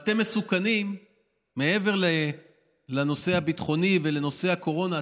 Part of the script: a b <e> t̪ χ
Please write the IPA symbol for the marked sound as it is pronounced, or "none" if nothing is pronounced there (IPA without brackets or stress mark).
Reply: i